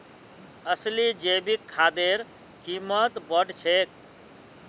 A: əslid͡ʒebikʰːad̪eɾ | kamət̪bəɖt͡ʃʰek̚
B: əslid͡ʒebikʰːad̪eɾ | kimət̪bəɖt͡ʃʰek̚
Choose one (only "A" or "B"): B